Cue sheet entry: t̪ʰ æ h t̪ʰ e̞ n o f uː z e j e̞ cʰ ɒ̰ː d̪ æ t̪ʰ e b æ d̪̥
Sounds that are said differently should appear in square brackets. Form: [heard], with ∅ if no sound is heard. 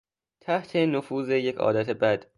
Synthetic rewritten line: t̪ʰ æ h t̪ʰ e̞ n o f uː z e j e̞ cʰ ɒ̰ː d̪ æ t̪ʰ e b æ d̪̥

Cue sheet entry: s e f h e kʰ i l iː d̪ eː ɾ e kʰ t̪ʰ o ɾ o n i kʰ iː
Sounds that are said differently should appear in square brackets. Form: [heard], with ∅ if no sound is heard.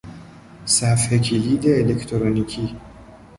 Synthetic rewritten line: s [æ] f h e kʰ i l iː d̪ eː [l] e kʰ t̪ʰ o ɾ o n i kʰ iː

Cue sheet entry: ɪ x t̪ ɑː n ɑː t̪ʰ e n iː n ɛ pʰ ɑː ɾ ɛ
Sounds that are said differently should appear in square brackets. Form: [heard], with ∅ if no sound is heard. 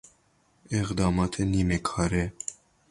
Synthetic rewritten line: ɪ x [d̪] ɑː [m] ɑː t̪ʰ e n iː [m] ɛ [kʰ] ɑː ɾ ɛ

